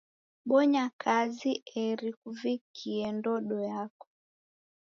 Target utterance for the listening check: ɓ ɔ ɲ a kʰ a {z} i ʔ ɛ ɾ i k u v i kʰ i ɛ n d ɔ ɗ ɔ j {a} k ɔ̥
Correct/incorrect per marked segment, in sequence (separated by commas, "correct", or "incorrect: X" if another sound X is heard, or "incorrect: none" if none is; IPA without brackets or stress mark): correct, correct